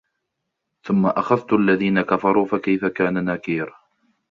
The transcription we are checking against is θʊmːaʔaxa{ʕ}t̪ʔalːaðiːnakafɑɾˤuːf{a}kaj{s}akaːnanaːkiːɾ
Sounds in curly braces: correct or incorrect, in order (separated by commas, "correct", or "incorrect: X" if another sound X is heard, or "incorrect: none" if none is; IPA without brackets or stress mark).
incorrect: ð, correct, incorrect: f